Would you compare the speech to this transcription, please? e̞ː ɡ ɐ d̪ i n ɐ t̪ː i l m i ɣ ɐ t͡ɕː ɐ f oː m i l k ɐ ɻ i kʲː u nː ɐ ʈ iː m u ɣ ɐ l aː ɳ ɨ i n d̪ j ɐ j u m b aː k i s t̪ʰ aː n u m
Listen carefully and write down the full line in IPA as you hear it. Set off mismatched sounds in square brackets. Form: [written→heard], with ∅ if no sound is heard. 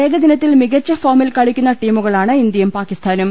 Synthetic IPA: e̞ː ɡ ɐ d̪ i n ɐ t̪ː i l m i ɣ ɐ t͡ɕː ɐ f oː m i l k ɐ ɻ i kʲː u nː ɐ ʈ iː m u ɣ ɐ [l→ɭ] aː ɳ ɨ i n d̪ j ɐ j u m [b→p] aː k i s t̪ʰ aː n u m